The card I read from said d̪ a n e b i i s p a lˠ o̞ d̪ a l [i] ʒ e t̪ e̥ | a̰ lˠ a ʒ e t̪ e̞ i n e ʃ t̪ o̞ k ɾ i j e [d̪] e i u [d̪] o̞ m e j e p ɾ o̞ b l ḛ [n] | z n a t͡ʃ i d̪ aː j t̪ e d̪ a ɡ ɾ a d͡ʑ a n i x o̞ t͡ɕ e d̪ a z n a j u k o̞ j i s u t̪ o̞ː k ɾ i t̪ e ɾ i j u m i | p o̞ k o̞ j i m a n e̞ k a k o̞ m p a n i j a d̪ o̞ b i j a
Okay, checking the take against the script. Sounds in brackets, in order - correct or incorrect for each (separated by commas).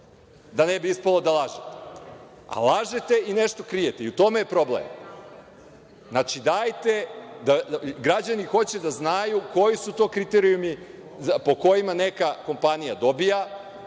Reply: incorrect, incorrect, incorrect, incorrect